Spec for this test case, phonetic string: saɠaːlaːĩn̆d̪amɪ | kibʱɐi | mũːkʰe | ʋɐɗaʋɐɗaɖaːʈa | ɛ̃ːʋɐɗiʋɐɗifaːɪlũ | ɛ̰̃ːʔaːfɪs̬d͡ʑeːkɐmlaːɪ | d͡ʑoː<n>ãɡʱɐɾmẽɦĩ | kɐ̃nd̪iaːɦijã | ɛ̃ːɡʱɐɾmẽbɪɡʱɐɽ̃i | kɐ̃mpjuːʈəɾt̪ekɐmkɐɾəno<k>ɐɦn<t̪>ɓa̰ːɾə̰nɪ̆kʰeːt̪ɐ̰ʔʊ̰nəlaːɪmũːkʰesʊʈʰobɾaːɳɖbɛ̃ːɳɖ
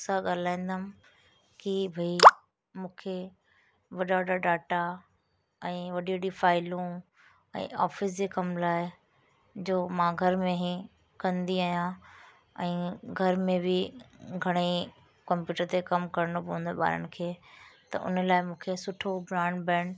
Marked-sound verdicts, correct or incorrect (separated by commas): incorrect, incorrect, incorrect